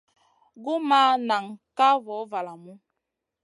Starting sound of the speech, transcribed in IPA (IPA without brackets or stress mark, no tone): ɡ